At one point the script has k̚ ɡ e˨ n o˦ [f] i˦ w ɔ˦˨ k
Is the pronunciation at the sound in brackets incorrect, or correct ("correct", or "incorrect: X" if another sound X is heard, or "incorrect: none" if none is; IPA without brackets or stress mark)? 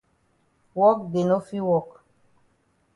correct